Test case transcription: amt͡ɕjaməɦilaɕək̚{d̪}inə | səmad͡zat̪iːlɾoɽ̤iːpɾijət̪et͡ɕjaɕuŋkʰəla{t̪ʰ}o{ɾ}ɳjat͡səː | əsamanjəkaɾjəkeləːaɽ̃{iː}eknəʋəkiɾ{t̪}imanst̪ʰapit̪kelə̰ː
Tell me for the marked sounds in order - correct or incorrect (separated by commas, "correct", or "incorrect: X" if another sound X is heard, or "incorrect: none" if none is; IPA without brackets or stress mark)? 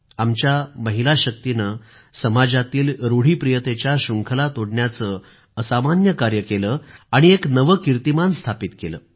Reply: incorrect: t̪, incorrect: t̪, incorrect: ɽ, incorrect: i, correct